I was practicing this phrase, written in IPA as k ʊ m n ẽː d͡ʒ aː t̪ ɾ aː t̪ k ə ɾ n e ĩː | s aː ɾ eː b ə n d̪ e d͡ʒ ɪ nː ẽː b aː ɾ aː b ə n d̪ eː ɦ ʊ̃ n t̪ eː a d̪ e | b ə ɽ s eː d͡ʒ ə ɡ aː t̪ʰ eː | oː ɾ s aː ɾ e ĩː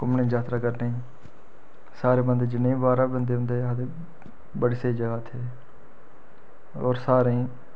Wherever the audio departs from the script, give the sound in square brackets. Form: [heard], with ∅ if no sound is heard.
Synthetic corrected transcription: k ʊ m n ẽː d͡ʒ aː t̪ ɾ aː [∅] k ə ɾ n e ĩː | s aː ɾ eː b ə n d̪ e d͡ʒ ɪ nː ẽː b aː ɾ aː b ə n d̪ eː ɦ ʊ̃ n [d̪] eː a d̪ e | b ə ɽ s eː d͡ʒ ə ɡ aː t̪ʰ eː | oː ɾ s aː ɾ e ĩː

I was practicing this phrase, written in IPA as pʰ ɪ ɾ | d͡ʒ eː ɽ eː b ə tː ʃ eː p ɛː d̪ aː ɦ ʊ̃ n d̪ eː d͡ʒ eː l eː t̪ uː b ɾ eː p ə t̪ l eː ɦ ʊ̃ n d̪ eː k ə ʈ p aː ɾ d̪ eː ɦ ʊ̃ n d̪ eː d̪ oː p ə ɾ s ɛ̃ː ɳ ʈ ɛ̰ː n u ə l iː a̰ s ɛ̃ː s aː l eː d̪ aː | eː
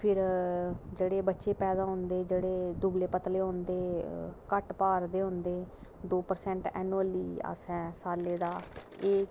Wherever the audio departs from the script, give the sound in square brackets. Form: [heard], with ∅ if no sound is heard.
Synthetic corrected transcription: pʰ ɪ ɾ | d͡ʒ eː ɽ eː b ə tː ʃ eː p ɛː d̪ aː ɦ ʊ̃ n d̪ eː d͡ʒ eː [ɽ] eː [d̪] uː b [l] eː p ə t̪ l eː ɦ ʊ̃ n d̪ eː k ə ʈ p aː ɾ d̪ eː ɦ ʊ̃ n d̪ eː d̪ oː p ə ɾ s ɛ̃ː ɳ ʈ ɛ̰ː n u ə l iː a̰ s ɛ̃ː s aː l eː d̪ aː | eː

